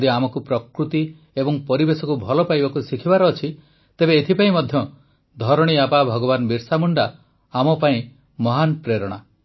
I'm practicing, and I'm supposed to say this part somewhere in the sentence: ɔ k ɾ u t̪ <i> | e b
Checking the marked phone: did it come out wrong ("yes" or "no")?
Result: no